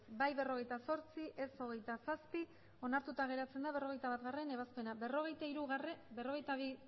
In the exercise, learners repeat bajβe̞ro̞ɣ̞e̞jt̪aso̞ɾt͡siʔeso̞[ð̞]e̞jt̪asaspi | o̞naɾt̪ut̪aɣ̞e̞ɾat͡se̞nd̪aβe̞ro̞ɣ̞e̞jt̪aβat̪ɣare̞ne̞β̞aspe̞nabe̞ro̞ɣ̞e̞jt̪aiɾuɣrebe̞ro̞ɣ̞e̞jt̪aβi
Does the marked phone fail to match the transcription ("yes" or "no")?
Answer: yes